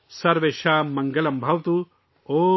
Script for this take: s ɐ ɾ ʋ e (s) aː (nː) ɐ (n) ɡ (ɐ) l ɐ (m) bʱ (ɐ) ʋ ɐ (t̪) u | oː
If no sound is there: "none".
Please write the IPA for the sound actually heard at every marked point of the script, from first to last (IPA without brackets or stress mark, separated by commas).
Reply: ʃ, mː, ŋ, ɐ, m, ɐ, t̪